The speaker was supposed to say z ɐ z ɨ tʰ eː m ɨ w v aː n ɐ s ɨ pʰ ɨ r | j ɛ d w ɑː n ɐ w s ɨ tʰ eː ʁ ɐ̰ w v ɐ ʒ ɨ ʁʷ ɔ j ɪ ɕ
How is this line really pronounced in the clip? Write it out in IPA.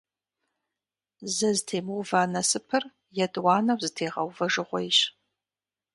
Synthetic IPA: z ɐ z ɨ tʰ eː m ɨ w v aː n ɐ s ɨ pʰ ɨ r | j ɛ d w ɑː n ɐ w z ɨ tʰ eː ʁ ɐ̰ w v ɐ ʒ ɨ ʁʷ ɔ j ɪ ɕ

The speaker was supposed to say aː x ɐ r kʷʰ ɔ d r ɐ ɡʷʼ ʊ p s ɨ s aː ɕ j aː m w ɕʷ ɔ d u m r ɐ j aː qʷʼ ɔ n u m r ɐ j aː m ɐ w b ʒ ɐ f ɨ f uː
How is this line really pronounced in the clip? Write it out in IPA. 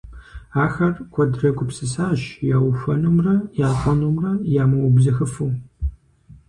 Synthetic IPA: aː x ɐ r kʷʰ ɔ d r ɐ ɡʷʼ ʊ p s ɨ s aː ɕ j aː w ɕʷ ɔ n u m r ɐ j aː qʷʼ ɔ n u m r ɐ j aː m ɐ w b z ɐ x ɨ f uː

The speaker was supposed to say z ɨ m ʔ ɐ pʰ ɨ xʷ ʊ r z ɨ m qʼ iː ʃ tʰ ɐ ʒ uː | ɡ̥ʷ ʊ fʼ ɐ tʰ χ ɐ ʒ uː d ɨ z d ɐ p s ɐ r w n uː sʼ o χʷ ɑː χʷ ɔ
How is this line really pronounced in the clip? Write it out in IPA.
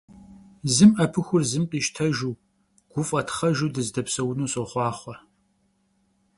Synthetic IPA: z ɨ m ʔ ɐ pʰ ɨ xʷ ʊ r z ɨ m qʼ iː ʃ tʰ ɐ ʒ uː | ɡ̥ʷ ʊ fʼ ɐ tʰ χ ɐ ʒ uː d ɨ z d ɐ p s ɐ w n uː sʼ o χʷ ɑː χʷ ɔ

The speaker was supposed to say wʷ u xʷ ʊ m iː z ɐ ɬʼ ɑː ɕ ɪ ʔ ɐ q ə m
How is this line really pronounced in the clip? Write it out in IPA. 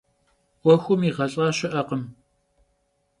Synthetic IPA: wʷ ɔ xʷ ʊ m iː ʁ ɐ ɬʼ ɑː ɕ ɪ ʔ ɐ q ə m

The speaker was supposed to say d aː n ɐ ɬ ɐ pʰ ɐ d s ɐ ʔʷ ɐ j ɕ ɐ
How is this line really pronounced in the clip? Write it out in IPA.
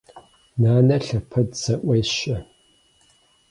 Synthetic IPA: n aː n ɐ ɬ ɐ pʰ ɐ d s ɐ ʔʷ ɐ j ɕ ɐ

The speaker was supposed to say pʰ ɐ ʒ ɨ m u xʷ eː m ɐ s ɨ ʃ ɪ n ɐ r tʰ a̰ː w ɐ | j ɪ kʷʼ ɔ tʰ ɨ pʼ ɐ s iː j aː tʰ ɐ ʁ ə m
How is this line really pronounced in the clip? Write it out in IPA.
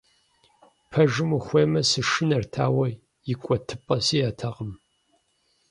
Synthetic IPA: pʰ ɐ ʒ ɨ m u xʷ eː m ɐ s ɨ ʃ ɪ n ɐ r tʰ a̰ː w ɐ | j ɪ kʷʼ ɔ tʰ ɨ pʼ ɐ s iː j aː tʰ ɐ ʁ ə m

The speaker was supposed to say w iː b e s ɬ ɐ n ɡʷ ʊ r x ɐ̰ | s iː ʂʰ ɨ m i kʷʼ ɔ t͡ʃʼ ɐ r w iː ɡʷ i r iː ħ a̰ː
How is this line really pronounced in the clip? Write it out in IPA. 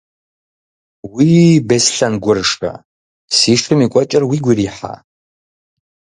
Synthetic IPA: w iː b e s ɬ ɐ n ɡʷ ʊ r ʂ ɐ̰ | s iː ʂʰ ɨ m i kʷʼ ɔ t͡ʃʼ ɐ r w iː ɡʷ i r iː ħ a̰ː

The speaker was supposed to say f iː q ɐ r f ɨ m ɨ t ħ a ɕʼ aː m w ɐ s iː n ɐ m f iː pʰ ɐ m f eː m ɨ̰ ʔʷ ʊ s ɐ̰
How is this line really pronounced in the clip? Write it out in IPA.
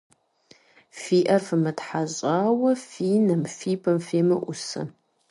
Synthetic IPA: f iː ʔ ɐ r f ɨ m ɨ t ħ a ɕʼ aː w ɐ f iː n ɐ m f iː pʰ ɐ m f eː m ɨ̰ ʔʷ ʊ s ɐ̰

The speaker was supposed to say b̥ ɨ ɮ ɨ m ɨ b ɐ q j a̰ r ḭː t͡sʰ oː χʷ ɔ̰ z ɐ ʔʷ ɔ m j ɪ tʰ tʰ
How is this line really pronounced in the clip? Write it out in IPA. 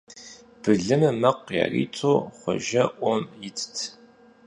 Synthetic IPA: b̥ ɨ ɮ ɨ m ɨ m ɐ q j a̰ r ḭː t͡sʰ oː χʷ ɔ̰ ʒ ɐ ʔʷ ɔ m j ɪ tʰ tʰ

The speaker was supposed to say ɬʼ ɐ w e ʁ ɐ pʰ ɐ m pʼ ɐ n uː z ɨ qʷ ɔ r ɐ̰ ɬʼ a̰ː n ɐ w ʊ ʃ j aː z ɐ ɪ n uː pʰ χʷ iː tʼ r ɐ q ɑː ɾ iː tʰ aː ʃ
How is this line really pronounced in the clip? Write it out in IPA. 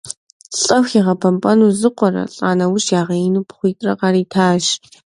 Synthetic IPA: ɬʼ ɐ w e ʁ ɐ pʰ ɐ m pʼ ɐ n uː z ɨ qʷ ɔ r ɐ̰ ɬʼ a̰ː n ɐ w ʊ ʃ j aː ʁ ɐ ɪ n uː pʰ χʷ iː tʼ r ɐ q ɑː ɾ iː tʰ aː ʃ

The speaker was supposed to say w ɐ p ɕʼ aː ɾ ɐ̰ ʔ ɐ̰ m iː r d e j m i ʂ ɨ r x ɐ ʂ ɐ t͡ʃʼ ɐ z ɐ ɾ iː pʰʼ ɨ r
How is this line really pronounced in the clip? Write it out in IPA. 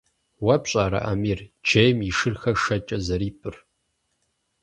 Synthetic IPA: w ɐ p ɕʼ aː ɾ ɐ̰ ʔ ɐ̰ m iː r d͡ʒ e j m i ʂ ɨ r x ɐ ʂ ɐ t͡ʃʼ ɐ z ɐ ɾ iː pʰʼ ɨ r

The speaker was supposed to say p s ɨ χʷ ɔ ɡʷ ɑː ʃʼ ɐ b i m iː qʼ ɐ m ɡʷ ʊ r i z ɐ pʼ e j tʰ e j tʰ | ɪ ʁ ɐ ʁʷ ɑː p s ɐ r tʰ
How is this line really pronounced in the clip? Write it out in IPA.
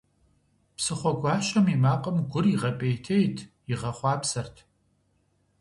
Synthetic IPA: p s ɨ χʷ ɔ ɡʷ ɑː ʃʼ ɐ m i m aː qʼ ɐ m ɡʷ ʊ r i ʁ ɐ pʼ e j tʰ e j tʰ | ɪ ʁ ɐ χʷ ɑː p s ɐ r tʰ

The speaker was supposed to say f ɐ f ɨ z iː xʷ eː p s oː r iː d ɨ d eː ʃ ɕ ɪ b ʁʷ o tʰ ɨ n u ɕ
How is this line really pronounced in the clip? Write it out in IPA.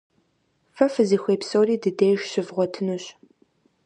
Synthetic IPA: f ɐ f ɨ z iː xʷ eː p s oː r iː d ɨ d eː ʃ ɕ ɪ v ʁʷ ɔ tʰ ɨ n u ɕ

